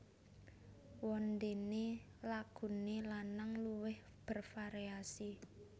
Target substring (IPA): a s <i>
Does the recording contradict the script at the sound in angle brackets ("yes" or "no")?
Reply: no